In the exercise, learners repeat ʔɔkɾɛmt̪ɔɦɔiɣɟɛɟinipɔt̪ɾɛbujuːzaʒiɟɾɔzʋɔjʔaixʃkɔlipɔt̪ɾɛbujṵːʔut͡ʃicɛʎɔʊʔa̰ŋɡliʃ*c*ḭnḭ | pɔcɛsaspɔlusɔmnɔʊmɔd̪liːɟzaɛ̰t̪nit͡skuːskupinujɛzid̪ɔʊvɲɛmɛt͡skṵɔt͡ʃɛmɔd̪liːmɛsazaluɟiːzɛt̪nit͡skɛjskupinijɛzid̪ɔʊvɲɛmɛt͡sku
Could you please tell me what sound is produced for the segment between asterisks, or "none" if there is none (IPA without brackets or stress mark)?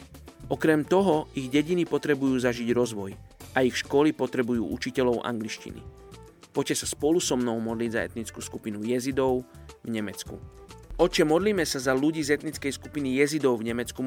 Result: c